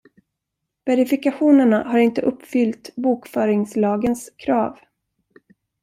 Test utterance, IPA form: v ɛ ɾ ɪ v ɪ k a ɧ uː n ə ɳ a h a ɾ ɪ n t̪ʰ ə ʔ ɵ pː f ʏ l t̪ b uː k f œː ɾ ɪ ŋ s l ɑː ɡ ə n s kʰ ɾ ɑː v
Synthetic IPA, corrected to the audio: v ɛ ɾ ɪ f ɪ k a ɧ uː n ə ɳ a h a ɾ ɪ n t̪ ə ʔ ɵ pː f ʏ l t̪ b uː k f œː ɾ ɪ ŋ s l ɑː ɡ ə n s kʰ ɾ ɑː v